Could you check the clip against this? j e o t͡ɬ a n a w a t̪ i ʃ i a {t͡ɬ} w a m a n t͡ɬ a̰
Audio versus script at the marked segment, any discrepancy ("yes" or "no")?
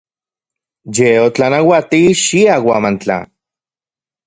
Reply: yes